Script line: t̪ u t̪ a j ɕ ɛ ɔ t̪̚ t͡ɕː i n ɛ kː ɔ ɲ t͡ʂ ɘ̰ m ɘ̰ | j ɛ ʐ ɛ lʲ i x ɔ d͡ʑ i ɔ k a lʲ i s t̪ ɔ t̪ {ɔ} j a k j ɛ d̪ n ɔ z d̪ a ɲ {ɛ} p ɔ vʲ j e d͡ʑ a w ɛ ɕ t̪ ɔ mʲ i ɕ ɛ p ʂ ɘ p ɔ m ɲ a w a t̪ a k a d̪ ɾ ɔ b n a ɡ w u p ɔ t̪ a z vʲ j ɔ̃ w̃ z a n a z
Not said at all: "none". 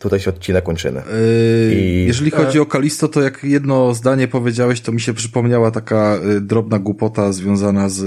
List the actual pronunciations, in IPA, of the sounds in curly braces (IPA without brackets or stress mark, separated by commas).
ɔ, ɛ